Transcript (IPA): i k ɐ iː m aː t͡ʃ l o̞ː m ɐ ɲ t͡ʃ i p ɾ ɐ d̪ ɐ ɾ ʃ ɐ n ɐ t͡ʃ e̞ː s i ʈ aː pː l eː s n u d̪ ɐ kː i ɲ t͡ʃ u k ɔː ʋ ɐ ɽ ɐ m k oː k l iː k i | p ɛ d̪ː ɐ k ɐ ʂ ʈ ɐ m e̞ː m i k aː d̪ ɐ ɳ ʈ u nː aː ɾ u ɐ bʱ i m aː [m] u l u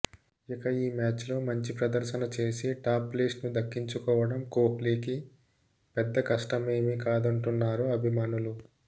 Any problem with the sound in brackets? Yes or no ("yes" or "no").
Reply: yes